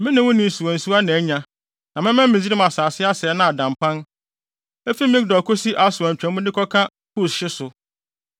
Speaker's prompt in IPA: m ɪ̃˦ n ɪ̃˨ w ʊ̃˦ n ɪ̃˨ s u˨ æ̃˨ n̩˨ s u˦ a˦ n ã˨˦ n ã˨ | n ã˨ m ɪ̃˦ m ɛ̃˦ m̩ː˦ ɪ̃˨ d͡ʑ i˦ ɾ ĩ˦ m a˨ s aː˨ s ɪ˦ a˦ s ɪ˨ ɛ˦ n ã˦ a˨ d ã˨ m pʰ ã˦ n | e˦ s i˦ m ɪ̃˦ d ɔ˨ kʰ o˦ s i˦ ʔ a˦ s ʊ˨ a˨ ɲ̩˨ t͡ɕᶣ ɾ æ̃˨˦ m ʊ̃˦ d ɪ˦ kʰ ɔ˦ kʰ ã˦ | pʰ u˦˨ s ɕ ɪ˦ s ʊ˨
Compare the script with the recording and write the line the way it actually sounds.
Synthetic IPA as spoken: m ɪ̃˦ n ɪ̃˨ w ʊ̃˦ n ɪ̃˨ s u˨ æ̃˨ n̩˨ s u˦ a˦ n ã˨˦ ɲ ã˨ | n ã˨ m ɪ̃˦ m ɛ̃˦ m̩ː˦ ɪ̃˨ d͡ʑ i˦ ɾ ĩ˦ m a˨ s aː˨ s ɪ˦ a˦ s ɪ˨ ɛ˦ n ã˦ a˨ d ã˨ m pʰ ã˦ n | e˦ f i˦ m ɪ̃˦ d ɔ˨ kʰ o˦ s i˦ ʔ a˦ s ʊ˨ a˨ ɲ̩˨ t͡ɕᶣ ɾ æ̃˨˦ m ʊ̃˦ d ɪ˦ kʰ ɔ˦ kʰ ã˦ | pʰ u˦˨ s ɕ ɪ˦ s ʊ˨